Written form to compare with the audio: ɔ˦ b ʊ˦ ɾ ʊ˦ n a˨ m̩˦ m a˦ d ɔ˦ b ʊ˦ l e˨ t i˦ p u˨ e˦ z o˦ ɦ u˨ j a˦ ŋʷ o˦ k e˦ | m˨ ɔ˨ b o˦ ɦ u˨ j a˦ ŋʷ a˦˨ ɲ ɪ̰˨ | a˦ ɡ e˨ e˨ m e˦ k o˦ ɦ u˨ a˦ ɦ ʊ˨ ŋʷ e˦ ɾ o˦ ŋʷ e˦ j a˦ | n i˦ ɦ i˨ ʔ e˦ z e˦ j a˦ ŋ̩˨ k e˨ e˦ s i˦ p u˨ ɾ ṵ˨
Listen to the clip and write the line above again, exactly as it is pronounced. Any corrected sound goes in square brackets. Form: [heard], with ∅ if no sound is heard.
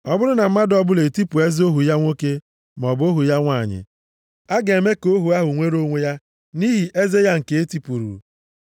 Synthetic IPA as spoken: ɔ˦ b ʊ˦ ɾ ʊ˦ n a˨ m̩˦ m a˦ d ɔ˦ b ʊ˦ l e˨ t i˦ p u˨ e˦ z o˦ ɦ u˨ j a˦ ŋʷ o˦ k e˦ | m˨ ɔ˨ b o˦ ɦ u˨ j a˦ ŋʷ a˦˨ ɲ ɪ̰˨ | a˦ ɡ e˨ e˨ m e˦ k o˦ ɦ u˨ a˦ ɦ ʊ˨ ŋʷ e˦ ɾ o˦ ŋʷ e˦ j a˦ | n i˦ ɦ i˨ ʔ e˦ z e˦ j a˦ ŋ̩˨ k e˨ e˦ [t] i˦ p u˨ ɾ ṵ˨